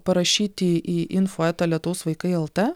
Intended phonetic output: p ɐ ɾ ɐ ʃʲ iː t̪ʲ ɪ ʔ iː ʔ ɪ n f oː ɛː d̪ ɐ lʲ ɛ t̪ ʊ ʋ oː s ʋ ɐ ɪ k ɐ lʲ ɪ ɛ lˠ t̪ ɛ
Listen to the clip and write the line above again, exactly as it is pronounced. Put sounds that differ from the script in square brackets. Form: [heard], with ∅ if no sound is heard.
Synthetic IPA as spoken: p ɐ ɾ ɐ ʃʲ iː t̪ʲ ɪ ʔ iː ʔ ɪ n f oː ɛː [t̪] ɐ lʲ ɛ t̪ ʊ ʋ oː s ʋ ɐ ɪ k ɐ [∅] ɪ ɛ lˠ t̪ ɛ